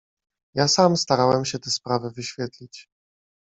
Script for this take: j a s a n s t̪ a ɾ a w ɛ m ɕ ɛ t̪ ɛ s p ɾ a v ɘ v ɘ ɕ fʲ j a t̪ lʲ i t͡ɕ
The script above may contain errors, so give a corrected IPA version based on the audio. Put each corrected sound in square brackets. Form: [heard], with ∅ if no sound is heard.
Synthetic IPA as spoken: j a s a [m] s t̪ a ɾ a w ɛ m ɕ ɛ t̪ ɛ s p ɾ a v ɘ v ɘ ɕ fʲ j [ɛ] t̪ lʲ i t͡ɕ